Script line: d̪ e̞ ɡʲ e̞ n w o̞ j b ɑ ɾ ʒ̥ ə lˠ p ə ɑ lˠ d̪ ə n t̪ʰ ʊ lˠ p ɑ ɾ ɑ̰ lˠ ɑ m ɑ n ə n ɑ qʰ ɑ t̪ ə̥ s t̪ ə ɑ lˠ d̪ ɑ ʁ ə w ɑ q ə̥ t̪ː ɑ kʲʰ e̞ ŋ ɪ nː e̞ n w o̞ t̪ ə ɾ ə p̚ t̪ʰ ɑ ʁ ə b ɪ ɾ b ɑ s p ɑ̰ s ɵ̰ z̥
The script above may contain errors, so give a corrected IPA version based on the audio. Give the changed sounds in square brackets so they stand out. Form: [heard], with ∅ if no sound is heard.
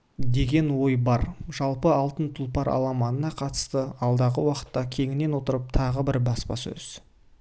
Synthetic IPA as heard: d̪ e̞ ɡʲ e̞ n w o̞ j b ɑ ɾ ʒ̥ [ɑ] lˠ p ə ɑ lˠ [t̪] ə n t̪ʰ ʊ lˠ p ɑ ɾ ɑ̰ lˠ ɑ m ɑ n ə n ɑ qʰ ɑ t̪ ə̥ s t̪ ə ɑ lˠ d̪ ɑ ʁ ə w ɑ q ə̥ t̪ː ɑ kʲʰ e̞ ŋ ɪ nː e̞ n w o̞ t̪ ə ɾ ə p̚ t̪ʰ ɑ ʁ ə b ɪ ɾ b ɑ s p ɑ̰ s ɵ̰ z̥